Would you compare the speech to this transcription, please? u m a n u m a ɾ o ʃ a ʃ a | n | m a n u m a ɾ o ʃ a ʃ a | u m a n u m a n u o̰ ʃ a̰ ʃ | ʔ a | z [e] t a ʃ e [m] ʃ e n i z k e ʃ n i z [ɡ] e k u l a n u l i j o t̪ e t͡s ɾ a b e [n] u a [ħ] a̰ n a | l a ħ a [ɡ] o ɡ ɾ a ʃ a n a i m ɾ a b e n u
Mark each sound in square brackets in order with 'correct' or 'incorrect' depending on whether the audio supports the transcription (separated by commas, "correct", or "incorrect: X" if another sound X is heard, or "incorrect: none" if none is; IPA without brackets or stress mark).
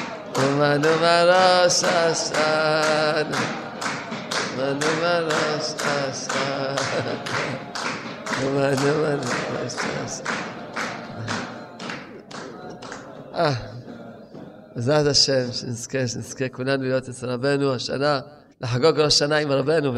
incorrect: a, correct, incorrect: k, correct, incorrect: ʃ, correct